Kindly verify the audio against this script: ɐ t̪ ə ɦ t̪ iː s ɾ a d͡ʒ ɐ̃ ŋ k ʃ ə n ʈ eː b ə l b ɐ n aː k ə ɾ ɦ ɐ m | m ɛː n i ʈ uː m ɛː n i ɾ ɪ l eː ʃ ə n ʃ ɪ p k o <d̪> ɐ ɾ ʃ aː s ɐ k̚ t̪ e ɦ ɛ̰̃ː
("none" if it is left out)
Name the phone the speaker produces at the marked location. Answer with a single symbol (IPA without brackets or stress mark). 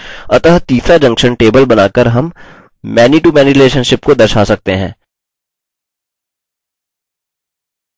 d̪